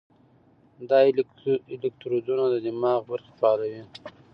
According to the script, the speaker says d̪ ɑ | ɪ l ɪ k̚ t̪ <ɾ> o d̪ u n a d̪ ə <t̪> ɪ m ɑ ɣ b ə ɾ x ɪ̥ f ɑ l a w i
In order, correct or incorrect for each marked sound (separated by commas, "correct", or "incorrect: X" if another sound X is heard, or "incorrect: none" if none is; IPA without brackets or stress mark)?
correct, incorrect: d̪